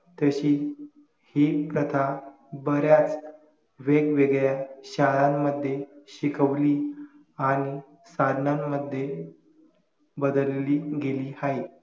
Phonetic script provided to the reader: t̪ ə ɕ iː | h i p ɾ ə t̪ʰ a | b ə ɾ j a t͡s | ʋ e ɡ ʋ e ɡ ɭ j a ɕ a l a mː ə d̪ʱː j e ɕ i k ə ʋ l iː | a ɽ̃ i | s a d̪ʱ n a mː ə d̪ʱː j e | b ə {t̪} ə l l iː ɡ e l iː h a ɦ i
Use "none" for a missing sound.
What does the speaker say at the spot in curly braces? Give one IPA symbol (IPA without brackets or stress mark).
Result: d̪